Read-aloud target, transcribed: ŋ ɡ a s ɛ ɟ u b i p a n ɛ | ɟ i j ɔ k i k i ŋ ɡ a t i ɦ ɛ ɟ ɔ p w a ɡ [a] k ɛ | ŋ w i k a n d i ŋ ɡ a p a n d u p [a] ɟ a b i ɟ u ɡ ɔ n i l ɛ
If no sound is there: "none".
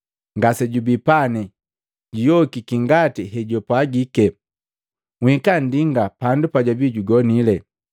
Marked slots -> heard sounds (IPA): i, a

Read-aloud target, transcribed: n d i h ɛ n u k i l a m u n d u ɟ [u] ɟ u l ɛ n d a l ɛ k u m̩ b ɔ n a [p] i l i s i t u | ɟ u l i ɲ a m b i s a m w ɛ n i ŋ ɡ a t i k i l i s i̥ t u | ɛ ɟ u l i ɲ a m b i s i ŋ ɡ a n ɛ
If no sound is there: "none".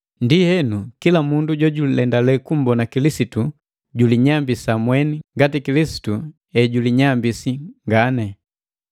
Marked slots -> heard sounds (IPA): ɔ, k

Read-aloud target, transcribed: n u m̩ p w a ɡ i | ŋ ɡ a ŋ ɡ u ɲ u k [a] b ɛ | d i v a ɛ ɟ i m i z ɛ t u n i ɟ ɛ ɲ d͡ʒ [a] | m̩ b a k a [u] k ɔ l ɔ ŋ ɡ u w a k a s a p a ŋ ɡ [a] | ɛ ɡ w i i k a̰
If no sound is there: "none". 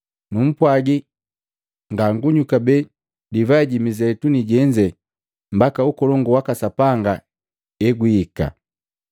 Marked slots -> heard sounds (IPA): a, ɛ, u, a

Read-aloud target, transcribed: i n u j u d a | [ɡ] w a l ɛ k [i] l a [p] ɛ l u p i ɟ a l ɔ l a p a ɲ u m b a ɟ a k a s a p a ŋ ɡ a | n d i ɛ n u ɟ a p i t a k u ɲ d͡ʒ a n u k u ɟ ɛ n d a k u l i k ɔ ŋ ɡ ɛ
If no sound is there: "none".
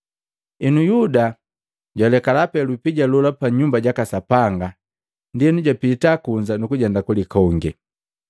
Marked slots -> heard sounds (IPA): ɟ, a, p

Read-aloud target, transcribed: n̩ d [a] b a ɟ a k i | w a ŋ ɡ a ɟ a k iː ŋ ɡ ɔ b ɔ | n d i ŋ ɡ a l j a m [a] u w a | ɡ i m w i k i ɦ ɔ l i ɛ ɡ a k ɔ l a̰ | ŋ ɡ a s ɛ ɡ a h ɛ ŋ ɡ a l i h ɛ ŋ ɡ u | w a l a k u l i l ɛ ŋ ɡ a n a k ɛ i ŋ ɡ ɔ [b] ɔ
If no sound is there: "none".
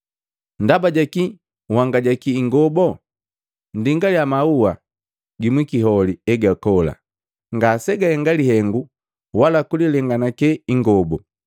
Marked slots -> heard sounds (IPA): a, a, b

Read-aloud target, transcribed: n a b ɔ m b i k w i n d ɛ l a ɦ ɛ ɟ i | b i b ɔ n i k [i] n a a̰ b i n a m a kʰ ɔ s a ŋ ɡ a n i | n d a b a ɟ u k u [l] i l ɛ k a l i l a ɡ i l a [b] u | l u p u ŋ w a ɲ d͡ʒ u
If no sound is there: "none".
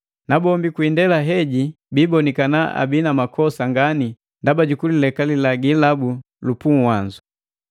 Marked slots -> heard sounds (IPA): a, l, b

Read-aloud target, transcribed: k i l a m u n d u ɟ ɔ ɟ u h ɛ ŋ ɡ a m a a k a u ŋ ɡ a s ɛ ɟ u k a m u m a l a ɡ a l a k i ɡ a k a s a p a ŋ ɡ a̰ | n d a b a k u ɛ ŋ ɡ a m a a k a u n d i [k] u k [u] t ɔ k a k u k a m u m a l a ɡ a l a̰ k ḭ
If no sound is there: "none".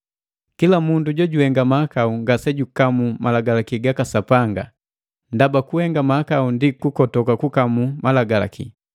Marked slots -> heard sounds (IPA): k, ɔ

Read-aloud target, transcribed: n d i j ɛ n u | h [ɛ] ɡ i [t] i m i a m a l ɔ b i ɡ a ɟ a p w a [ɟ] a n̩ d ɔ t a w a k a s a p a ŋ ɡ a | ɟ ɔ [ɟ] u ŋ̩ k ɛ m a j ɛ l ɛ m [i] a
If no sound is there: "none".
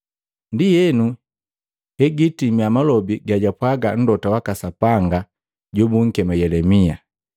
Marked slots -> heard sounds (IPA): ɛ, t, ɡ, b, i

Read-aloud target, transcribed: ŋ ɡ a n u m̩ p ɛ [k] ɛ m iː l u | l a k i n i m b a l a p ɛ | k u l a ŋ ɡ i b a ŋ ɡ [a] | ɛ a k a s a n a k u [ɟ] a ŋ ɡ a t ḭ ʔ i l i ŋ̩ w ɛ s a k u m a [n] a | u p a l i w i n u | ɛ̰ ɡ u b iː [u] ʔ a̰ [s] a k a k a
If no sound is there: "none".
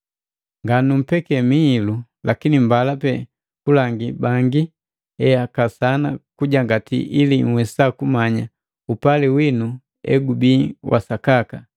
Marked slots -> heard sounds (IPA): k, i, ɟ, ɲ, w, s

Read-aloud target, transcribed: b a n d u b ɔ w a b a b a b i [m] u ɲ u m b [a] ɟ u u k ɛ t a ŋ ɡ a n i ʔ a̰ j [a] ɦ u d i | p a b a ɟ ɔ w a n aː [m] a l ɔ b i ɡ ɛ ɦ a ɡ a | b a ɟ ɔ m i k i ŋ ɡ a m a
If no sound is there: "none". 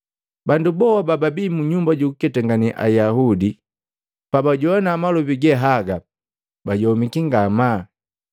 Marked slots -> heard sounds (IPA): m, a, a, m

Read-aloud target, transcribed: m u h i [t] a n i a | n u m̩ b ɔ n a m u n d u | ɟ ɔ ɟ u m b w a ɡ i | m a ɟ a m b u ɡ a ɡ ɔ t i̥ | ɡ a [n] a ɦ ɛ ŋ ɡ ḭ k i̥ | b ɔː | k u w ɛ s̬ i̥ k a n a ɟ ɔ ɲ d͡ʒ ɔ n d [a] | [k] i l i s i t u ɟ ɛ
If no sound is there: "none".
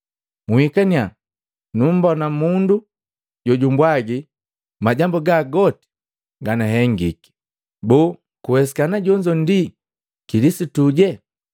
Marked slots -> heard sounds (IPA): k, n, i, k

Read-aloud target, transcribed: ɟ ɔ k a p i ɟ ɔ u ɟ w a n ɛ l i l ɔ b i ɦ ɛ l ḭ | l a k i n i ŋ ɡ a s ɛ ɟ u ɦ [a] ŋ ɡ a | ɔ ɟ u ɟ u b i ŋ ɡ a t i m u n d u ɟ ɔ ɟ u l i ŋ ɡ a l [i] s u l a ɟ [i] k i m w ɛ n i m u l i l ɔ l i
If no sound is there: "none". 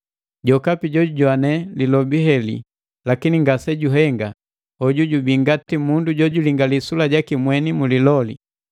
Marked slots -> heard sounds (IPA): ɛ, i, a

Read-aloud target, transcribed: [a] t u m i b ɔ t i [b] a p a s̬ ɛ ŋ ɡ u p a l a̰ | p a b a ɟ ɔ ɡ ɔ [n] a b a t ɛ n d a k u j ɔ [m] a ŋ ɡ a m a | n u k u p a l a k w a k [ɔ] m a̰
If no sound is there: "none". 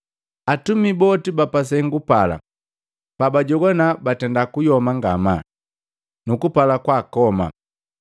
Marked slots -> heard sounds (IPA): a, b, n, m, ɔ

